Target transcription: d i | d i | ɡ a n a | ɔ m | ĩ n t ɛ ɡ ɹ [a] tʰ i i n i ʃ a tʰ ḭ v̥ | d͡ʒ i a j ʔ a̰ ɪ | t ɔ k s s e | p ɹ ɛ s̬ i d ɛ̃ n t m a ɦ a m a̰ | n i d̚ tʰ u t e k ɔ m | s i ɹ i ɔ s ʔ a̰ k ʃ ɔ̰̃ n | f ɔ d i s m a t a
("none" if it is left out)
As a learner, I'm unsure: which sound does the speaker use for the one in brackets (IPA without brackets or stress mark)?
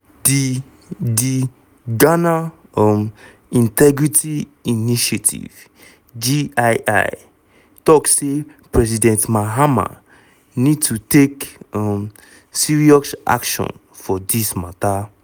i